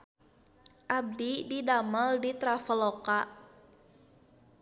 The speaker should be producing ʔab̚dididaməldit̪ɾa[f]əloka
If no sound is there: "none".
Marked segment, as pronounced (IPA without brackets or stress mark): f